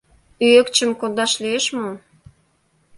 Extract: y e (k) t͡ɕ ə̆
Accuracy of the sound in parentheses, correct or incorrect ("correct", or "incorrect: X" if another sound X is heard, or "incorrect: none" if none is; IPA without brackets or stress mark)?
correct